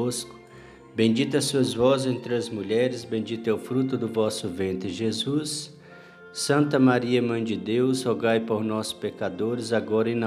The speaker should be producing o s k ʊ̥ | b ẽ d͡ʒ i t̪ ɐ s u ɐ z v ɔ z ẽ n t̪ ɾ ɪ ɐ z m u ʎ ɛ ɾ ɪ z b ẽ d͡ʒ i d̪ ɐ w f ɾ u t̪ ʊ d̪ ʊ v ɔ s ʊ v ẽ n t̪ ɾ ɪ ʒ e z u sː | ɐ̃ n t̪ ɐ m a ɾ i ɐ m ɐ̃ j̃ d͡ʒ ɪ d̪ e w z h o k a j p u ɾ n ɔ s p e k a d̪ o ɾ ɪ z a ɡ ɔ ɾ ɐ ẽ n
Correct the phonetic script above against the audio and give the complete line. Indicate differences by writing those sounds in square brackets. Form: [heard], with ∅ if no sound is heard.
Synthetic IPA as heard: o s k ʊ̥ | b ẽ d͡ʒ i t̪ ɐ s u ɐ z v ɔ z ẽ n t̪ ɾ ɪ ɐ z m u ʎ ɛ ɾ ɪ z b ẽ d͡ʒ i [t̪] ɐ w f ɾ u t̪ ʊ d̪ ʊ v ɔ s ʊ v ẽ n t̪ ɾ ɪ ʒ e z u sː | ɐ̃ n t̪ ɐ m a ɾ i ɐ m ɐ̃ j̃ d͡ʒ ɪ d̪ e w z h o [ɡ] a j p [o] ɾ n ɔ s p e k a d̪ o ɾ ɪ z a ɡ ɔ ɾ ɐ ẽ n